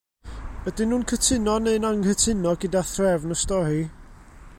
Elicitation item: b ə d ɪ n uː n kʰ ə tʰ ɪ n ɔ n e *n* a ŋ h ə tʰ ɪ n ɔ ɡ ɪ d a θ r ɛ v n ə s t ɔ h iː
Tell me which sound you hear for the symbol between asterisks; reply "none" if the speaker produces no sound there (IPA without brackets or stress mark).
n